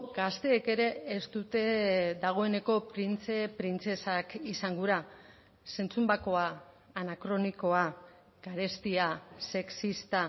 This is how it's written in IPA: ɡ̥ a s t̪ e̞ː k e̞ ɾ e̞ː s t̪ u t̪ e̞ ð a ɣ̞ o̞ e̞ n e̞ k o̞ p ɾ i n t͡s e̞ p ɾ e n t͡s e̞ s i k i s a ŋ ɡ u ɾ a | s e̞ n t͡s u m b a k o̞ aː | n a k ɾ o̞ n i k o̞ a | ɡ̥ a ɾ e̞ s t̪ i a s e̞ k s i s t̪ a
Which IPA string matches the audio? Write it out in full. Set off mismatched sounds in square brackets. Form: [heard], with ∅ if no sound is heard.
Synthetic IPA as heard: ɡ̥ a s t̪ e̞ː k e̞ ɾ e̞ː s t̪ u t̪ e̞ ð a ɣ̞ o̞ e̞ n e̞ k o̞ p ɾ i n t͡s e̞ p ɾ [i] n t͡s e̞ s [a] k i s a ŋ ɡ u ɾ a | s e̞ n t͡s u m b a k o̞ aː | n a k ɾ o̞ n i k o̞ a | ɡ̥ a ɾ e̞ s t̪ i a s e̞ k s i s t̪ a

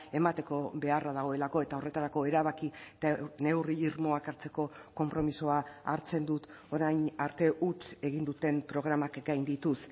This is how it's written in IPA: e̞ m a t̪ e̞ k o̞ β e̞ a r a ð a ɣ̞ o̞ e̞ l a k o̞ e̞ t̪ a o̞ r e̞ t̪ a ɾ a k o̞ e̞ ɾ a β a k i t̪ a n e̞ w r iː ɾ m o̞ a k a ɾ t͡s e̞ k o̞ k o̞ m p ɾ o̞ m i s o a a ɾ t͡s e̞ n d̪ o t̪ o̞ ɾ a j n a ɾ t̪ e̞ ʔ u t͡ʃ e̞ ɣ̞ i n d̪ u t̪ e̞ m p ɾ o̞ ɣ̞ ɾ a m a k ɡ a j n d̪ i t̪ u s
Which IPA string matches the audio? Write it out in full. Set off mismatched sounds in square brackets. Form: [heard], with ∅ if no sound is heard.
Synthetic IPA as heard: e̞ m a t̪ e̞ k o̞ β e̞ a r a ð a ɣ̞ o̞ e̞ l a k o̞ e̞ t̪ a o̞ r e̞ t̪ a ɾ a k o̞ e̞ ɾ a β a k i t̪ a n e̞ w r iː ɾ m o̞ a k a ɾ t͡s e̞ k o̞ k o̞ m p ɾ o̞ m i s o a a ɾ t͡s e̞ n d̪ [u] t̪ o̞ ɾ a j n a ɾ t̪ e̞ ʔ u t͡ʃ e̞ ɣ̞ i n d̪ u t̪ e̞ m p ɾ o̞ ɣ̞ ɾ a m a k ɡ a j n d̪ i t̪ u s

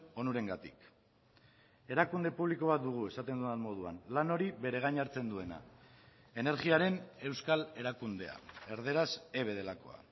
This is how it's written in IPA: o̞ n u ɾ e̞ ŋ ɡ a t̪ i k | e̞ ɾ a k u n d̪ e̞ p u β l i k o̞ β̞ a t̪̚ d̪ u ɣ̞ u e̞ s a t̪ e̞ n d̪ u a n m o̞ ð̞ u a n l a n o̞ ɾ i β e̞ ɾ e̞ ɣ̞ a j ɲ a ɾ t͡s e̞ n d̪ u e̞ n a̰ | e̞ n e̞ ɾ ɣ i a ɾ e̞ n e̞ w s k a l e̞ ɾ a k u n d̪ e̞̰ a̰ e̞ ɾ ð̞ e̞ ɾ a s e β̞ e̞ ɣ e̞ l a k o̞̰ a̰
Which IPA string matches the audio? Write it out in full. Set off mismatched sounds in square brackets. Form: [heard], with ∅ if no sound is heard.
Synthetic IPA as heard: o̞ n u ɾ e̞ ŋ ɡ a t̪ i k | e̞ ɾ a k u n d̪ e̞ p u β l i k o̞ β̞ a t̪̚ d̪ u ɣ̞ u e̞ s a t̪ e̞ n d̪ u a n m o̞ ð̞ u a n l a n o̞ ɾ i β e̞ ɾ e̞ ɣ̞ a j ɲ a ɾ t͡s e̞ n d̪ u e̞ n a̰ | e̞ n e̞ ɾ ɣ i a ɾ e̞ n e̞ w s k a l e̞ ɾ a k u n d̪ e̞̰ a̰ e̞ ɾ ð̞ e̞ ɾ a s e β̞ e̞ [ð] e̞ l a k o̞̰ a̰

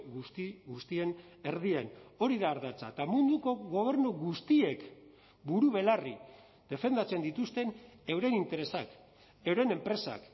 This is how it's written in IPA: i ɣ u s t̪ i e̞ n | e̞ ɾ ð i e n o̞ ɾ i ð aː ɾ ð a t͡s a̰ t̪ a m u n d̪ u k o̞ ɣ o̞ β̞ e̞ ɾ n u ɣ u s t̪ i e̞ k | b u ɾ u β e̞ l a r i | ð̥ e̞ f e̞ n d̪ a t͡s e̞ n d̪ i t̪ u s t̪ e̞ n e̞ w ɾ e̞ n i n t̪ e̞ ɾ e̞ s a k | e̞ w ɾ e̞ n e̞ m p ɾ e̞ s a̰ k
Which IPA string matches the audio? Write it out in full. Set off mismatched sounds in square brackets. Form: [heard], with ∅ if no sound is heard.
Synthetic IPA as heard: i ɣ u s t̪ i e̞ n | e̞ ɾ ð i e n o̞ ɾ i ð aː ɾ ð a t͡s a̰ t̪ a m u n d̪ u k o̞ ɣ o̞ β̞ e̞ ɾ n u ɣ u s t̪ i e̞ k | b u ɾ u β e̞ l a r i | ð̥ e̞ f e̞ n d̪ a t͡s e̞ n d̪ i t̪ u s t̪ e̞ n e̞ w ɾ e̞ n i n t̪ e̞ ɾ e̞ s a k | e̞ w ɾ e̞ n e̞ m p ɾ e̞ s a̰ k

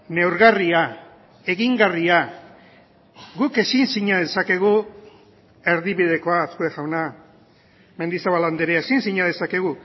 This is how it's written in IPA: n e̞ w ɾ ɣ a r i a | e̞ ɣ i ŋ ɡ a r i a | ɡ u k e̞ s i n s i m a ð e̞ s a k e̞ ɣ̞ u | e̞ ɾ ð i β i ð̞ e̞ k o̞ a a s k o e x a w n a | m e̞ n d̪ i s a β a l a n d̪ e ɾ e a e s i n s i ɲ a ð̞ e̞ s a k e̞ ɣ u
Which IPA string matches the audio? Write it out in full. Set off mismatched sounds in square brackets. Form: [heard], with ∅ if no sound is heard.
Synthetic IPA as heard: n e̞ w ɾ ɣ a r i a | e̞ ɣ i ŋ ɡ a r i a | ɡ u k e̞ s i n s i [ɲ] a ð e̞ s a k e̞ ɣ̞ u | e̞ ɾ ð i β i ð̞ e̞ k o̞ a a s k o e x a w n a | m e̞ n d̪ i s a β a l a n d̪ e ɾ e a e s i n s i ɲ a ð̞ e̞ s a k e̞ ɣ u

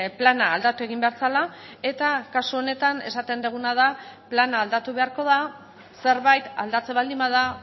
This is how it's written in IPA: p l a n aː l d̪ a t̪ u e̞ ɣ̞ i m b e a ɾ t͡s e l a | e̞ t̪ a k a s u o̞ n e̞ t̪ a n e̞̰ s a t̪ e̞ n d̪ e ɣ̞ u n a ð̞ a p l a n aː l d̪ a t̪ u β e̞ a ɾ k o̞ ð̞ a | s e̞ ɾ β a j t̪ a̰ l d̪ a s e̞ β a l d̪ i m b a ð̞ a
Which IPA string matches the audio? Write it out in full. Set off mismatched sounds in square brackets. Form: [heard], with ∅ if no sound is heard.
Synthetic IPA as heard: p l a n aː l d̪ a t̪ u e̞ ɣ̞ i m b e a ɾ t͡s [a] l a | e̞ t̪ a k a s u o̞ n e̞ t̪ a n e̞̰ s a t̪ e̞ n d̪ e ɣ̞ u n a ð̞ a p l a n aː l d̪ a t̪ u β e̞ a ɾ k o̞ ð̞ a | s e̞ ɾ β a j t̪ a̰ l d̪ a [t͡s] e̞ β a l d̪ i m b a ð̞ a

